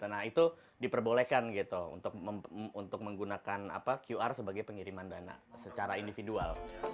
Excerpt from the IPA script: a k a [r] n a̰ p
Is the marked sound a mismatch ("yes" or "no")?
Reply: yes